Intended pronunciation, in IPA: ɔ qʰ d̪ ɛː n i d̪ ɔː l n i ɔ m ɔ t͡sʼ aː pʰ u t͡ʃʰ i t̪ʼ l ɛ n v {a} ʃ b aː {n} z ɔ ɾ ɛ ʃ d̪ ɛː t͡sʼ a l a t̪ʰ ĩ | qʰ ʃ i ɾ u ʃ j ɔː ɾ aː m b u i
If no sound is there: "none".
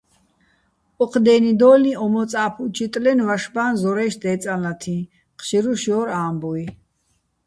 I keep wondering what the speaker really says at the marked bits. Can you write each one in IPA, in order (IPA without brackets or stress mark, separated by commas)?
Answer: a, n